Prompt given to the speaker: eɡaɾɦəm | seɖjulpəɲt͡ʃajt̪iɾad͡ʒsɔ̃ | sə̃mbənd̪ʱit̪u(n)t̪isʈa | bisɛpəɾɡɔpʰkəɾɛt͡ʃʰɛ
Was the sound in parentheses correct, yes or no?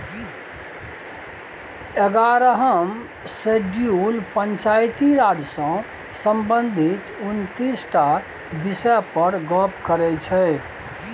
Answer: yes